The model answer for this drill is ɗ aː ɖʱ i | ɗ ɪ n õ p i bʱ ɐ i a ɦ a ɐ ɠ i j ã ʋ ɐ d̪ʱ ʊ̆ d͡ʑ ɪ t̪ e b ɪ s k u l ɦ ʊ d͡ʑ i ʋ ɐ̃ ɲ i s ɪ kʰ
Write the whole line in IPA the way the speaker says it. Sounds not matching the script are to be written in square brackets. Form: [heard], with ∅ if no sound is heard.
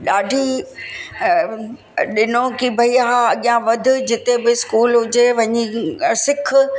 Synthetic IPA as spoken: ɗ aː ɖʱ i | ɗ ɪ n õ [k] i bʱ ɐ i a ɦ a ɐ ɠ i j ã ʋ ɐ d̪ʱ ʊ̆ d͡ʑ ɪ t̪ e b ɪ s k [uː] l ɦ ʊ d͡ʑ [e] ʋ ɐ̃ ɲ i s ɪ kʰ

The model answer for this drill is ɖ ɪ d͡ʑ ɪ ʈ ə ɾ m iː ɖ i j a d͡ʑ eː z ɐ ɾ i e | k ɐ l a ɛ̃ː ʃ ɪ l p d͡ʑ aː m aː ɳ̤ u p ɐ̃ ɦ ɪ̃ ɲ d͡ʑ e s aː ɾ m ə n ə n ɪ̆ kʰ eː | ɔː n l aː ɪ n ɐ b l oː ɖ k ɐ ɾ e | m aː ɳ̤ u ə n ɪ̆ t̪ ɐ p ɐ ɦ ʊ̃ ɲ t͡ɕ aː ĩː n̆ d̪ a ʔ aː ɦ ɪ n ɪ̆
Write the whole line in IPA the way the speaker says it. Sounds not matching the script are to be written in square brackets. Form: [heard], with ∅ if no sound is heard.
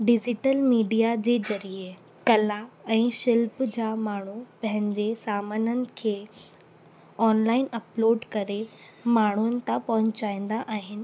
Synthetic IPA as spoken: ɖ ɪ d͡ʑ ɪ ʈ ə [l] m iː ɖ i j a d͡ʑ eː z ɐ ɾ i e | k ɐ l a ɛ̃ː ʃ ɪ l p d͡ʑ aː m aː ɳ̤ u p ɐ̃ ɦ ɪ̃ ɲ d͡ʑ e s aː [∅] m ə n ə n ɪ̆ kʰ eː | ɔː n l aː ɪ n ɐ [p] l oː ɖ k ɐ ɾ e | m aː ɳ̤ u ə n ɪ̆ t̪ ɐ p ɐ ɦ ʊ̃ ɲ t͡ɕ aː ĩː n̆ d̪ a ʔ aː ɦ ɪ n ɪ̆

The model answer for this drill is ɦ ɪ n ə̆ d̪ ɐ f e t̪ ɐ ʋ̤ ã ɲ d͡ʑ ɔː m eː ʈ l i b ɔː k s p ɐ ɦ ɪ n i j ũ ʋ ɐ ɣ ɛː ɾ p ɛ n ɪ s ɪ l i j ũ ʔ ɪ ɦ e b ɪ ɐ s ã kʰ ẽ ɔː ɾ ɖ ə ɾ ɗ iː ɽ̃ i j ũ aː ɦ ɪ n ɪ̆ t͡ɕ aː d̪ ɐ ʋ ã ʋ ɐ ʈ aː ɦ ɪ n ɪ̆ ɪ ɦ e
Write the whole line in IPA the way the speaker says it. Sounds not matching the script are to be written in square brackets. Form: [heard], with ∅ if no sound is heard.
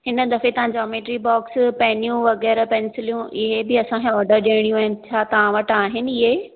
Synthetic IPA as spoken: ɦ ɪ n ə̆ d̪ ɐ f e t̪ ɐ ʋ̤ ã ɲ d͡ʑ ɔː m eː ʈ [ɾ] i b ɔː k s p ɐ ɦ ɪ n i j ũ ʋ ɐ ɣ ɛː ɾ p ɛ n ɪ s ɪ l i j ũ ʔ ɪ ɦ e b ɪ ɐ s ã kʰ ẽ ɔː ɾ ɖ ə ɾ ɗ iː ɽ̃ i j ũ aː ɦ ɪ n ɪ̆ [t͡ɕʰ] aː [t̪] ɐ ʋ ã ʋ ɐ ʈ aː ɦ ɪ n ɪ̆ ɪ ɦ e

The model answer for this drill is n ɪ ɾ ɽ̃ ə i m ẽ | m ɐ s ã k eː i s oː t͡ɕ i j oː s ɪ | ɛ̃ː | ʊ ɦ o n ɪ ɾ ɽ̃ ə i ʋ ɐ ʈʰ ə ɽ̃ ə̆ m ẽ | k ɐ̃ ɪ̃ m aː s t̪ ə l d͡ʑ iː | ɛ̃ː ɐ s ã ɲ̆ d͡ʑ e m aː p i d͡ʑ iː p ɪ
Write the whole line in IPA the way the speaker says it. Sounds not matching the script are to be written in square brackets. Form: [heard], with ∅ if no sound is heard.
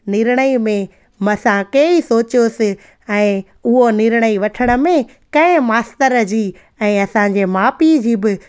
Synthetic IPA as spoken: n ɪ ɾ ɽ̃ ə i m ẽ | m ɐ s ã k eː i s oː t͡ɕ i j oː s ɪ | ɛ̃ː | ʊ ɦ o n ɪ ɾ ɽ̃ ə i ʋ ɐ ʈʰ ə ɽ̃ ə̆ m ẽ | k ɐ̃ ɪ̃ m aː s t̪ ə [ɾ] d͡ʑ iː | ɛ̃ː ɐ s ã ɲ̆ d͡ʑ e m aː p i d͡ʑ iː [b] ɪ

